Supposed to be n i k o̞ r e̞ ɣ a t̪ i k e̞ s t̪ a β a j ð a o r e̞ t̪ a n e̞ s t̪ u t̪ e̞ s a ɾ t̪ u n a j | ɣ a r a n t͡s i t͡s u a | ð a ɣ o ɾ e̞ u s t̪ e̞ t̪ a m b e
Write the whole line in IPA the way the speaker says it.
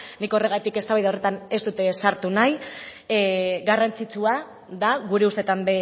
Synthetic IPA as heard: n i k o̞ r e̞ ɣ a t̪ i k e̞ s t̪ a β a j ð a o r e̞ t̪ a n e̞ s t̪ u t̪ e̞ s a ɾ t̪ u n a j | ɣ a r a n t͡s i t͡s u a | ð a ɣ u ɾ e̞ u s t̪ e̞ t̪ a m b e